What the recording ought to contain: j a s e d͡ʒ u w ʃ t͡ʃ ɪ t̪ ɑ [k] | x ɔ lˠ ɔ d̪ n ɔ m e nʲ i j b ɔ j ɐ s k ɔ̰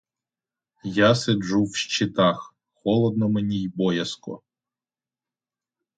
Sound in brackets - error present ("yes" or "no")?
yes